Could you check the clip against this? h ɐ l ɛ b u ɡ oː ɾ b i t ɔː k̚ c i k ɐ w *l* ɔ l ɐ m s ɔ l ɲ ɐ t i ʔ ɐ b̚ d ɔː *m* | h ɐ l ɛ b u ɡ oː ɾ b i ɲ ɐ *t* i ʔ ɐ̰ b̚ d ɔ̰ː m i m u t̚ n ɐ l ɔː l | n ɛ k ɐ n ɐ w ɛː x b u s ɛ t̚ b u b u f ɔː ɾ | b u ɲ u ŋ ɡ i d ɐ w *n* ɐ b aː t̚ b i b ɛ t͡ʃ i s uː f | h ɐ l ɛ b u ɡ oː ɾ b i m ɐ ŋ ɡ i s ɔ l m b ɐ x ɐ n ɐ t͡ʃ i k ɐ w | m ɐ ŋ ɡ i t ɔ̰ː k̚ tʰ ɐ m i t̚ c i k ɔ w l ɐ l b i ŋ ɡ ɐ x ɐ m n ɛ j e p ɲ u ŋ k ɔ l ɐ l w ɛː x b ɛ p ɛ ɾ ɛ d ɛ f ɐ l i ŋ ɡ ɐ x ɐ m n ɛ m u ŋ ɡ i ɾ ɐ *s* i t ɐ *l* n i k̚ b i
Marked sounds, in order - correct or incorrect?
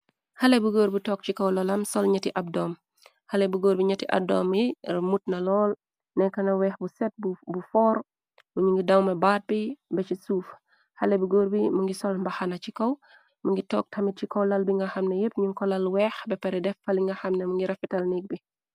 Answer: correct, correct, correct, incorrect, incorrect, correct

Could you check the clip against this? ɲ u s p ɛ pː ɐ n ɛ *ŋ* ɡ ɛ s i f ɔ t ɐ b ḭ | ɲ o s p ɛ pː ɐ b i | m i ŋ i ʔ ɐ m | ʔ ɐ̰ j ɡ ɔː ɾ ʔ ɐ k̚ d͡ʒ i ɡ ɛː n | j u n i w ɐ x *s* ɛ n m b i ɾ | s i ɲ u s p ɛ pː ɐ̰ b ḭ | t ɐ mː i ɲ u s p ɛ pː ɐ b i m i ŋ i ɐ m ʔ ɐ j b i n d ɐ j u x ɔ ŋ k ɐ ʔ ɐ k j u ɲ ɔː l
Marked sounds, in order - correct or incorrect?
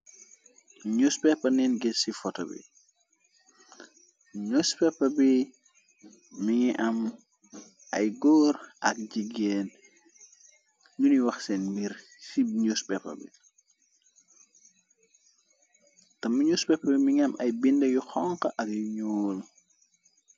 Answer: incorrect, correct

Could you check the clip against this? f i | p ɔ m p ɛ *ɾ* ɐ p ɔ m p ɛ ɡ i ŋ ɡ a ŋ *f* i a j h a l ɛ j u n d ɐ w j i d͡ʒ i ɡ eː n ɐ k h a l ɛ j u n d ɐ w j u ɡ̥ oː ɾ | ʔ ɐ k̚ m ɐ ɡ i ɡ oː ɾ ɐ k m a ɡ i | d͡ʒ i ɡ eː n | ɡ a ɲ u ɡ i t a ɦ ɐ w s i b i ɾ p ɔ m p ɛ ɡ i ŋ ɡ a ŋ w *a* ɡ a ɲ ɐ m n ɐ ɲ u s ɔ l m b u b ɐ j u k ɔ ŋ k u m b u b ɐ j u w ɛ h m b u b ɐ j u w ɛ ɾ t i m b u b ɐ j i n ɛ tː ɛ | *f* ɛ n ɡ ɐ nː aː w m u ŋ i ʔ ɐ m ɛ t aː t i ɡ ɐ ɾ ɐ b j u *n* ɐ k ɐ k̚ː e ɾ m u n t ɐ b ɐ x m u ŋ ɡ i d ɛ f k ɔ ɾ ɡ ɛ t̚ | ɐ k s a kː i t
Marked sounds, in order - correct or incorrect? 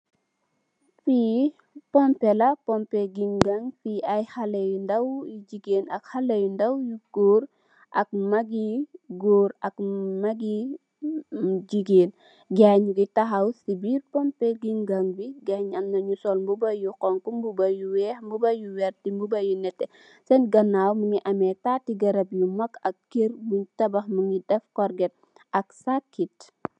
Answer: incorrect, correct, incorrect, incorrect, incorrect

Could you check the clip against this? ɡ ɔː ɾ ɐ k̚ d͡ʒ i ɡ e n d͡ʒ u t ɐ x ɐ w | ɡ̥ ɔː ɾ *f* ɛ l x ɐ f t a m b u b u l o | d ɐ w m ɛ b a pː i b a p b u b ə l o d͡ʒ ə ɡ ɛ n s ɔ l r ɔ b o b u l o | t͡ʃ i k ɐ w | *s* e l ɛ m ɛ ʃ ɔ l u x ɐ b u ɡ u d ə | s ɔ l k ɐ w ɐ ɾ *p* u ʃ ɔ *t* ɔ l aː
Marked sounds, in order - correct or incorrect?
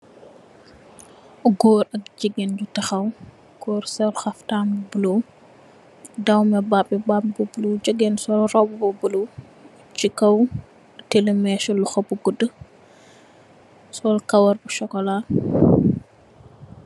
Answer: incorrect, incorrect, incorrect, incorrect

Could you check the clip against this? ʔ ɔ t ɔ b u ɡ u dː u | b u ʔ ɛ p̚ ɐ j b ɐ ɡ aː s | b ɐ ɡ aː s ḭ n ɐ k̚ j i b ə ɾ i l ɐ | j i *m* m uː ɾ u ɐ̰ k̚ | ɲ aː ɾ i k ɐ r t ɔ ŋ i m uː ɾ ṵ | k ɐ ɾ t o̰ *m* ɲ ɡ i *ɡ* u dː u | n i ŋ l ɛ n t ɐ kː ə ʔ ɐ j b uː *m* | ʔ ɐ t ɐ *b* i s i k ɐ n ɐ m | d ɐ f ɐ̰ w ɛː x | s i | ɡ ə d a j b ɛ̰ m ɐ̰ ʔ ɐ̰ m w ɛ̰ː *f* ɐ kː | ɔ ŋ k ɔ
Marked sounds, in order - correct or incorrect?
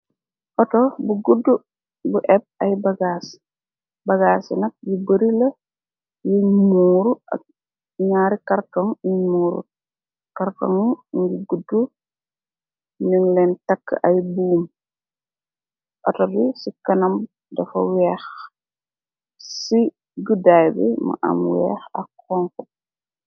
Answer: correct, incorrect, correct, correct, correct, incorrect

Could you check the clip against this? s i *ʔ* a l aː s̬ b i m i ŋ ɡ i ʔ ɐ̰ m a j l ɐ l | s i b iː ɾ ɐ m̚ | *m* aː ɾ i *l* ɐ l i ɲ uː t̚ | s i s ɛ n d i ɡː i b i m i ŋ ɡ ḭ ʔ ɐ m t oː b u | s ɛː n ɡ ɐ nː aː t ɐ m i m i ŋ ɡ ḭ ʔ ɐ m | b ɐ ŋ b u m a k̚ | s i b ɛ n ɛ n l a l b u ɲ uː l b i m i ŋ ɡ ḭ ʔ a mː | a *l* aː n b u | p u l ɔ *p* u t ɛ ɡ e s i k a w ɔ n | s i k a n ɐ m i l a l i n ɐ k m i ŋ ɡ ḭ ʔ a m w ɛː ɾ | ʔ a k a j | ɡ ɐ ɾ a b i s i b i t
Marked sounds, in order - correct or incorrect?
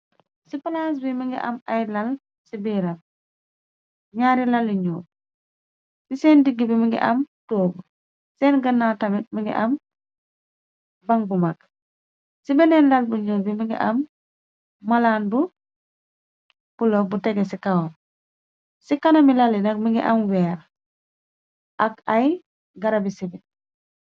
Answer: incorrect, incorrect, correct, correct, incorrect

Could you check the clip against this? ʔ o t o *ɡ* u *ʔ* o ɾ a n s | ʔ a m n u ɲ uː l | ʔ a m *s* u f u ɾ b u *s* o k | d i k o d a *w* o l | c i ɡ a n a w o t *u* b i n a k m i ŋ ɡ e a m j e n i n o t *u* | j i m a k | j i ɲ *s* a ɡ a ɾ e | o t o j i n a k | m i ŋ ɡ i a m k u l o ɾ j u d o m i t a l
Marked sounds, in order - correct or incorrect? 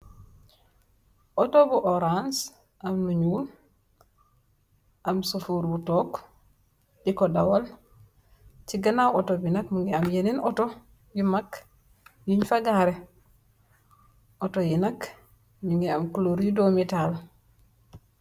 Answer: incorrect, correct, correct, incorrect, correct, incorrect, incorrect, incorrect

